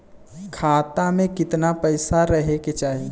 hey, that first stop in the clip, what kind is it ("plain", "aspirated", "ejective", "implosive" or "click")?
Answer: aspirated